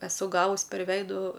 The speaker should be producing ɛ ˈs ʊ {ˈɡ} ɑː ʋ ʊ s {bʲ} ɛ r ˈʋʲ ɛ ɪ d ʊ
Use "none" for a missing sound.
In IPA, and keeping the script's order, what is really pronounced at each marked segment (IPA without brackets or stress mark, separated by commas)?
ɡ, pʲ